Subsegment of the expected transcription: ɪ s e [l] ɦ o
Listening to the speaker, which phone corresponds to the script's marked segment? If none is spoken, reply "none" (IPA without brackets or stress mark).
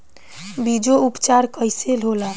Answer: l